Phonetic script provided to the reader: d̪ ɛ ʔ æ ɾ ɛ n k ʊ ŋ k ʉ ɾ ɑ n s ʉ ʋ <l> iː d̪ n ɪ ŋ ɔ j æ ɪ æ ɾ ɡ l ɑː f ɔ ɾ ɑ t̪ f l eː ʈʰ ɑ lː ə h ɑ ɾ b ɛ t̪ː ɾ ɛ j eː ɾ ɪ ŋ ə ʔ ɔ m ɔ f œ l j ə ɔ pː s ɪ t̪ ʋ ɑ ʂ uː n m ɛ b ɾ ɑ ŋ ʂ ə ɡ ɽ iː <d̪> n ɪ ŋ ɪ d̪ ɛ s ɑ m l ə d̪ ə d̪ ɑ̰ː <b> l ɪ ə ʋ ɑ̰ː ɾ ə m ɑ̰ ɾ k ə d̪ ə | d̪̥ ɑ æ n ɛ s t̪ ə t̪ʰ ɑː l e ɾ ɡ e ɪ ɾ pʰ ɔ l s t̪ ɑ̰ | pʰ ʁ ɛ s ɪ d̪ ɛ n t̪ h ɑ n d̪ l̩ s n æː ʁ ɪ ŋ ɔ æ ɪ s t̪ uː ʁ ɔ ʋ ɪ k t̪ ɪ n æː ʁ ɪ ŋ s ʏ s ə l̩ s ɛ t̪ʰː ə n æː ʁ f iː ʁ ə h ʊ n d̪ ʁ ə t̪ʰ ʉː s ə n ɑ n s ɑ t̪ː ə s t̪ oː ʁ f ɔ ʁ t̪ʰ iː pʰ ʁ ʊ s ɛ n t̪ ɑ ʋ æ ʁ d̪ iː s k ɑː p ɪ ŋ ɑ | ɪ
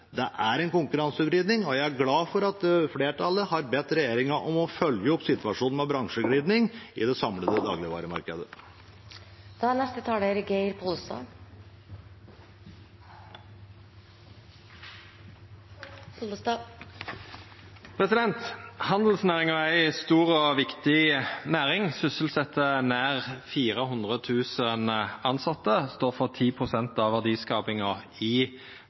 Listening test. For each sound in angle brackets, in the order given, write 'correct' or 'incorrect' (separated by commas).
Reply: incorrect, correct, incorrect